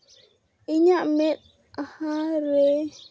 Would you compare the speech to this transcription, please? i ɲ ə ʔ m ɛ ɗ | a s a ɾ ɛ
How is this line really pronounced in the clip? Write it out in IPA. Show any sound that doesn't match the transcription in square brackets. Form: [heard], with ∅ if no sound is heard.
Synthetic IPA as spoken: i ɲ [a] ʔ m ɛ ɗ | a [h] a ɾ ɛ

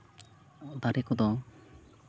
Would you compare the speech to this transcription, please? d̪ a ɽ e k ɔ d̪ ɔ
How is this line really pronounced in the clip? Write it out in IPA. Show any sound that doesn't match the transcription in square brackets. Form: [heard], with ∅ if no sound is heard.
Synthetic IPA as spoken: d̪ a [ɾ] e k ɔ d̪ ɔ

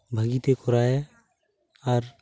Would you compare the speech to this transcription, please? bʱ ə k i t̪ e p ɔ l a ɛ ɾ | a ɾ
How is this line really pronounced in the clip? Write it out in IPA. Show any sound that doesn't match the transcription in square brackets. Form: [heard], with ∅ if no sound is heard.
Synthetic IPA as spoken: bʱ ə [ɡ] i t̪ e [k] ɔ [ɾ] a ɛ [∅] | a ɾ

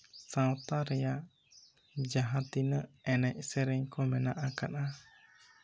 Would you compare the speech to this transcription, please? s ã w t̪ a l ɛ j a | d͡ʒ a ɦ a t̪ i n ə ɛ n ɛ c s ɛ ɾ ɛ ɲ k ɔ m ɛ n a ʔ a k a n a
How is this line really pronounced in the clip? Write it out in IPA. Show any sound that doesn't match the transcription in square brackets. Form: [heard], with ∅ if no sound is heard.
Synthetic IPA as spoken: s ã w t̪ a [ɾ] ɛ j a | d͡ʒ a ɦ a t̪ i n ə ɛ n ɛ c s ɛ ɾ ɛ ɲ k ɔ m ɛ n a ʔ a k a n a

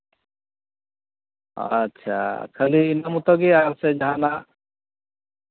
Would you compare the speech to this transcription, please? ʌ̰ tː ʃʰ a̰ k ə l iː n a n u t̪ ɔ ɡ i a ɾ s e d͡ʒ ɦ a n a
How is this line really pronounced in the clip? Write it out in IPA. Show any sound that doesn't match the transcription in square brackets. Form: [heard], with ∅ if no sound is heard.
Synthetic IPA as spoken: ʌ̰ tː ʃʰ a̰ [kʰ] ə l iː n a [m] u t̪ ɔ ɡ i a ɾ s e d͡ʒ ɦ a n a

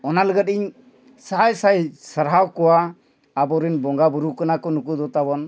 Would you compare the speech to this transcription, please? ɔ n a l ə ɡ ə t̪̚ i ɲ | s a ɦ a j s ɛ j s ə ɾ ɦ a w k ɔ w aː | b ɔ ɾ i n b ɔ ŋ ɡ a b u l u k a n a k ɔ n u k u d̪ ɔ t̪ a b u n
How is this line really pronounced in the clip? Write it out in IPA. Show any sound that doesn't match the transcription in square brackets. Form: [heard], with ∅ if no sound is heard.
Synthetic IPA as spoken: ɔ n a l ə ɡ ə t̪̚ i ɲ | s a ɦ a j s [a] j s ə ɾ ɦ a w k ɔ w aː | b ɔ ɾ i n b ɔ ŋ ɡ a b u [ɾ] u k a n a k ɔ n u k u d̪ ɔ t̪ a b [ɔ] n

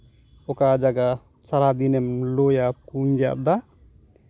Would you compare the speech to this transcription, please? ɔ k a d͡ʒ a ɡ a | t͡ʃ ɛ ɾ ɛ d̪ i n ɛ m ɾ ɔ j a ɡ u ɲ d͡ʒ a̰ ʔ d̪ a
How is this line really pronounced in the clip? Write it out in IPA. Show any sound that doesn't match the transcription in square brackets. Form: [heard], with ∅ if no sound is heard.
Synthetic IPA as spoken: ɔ k a d͡ʒ a ɡ a | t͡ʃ [a] ɾ [a] d̪ i n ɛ m [l] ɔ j a [k] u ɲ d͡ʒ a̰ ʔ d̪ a

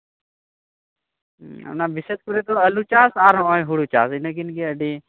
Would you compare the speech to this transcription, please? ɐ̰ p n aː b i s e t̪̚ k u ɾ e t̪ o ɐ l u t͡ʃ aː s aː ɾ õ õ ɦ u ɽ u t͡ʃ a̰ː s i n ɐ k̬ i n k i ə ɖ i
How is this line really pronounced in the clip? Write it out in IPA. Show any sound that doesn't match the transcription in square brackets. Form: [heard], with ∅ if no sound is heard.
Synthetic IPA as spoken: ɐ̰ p n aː b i s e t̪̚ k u ɾ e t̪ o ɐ l u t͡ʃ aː s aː ɾ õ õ ɦ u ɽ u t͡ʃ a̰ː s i n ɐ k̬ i n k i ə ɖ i

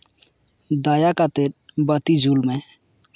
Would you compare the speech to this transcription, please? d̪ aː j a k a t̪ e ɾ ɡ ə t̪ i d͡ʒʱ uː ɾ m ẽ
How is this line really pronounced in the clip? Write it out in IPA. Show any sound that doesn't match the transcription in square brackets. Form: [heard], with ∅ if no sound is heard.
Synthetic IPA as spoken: d̪ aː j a k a t̪ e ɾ [b] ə t̪ i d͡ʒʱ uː [l] m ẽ

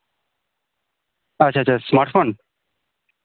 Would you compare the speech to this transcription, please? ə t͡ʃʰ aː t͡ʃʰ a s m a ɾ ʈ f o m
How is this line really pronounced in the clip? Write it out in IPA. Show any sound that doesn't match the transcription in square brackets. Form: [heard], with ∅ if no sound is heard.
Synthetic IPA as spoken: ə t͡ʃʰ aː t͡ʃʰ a s m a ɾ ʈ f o [n]

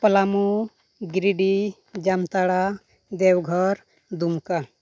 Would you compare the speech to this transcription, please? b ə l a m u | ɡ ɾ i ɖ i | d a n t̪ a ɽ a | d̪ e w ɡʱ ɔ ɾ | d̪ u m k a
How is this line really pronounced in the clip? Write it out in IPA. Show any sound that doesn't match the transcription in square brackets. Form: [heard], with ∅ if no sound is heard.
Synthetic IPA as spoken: [p] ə l a m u | ɡ ɾ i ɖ i | [d͡ʒ] a [m] t̪ a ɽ a | d̪ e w ɡʱ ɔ ɾ | d̪ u m k a

